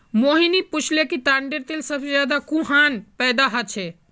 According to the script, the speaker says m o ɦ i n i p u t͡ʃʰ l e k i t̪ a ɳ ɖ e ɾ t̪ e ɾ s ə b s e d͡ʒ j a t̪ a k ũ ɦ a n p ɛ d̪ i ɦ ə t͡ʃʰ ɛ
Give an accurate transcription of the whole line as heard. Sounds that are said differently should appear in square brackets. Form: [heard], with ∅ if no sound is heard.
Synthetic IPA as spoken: m o ɦ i n i p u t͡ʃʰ l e k i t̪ a ɳ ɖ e ɾ t̪ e [l] s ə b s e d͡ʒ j a [d̪] a k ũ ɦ a n p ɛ d̪ [a] ɦ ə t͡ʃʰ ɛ